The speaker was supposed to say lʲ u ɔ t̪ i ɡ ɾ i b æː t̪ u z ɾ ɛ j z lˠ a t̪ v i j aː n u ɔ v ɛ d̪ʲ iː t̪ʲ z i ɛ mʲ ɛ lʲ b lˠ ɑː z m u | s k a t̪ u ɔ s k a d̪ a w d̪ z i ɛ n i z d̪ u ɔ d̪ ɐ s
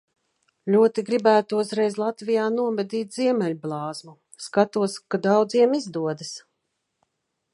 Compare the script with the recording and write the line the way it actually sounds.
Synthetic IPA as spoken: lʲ u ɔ t̪ i ɡ ɾ i b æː t̪ u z ɾ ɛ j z lˠ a t̪ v i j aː n u ɔ v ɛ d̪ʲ iː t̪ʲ z i ɛ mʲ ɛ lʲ b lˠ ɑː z m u | s k a t̪ u ɔ s k a d̪ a w d̪ z i ɛ m i z d̪ u ɔ d̪ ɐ s